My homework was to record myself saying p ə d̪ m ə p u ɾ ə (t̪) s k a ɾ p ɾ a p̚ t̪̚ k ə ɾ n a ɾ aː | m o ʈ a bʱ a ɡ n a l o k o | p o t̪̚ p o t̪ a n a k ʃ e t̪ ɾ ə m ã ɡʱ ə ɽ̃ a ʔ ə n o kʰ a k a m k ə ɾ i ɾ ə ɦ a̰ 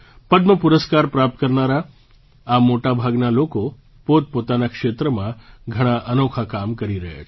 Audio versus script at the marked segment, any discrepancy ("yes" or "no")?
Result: yes